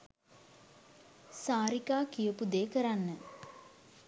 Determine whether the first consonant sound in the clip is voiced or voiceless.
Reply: voiceless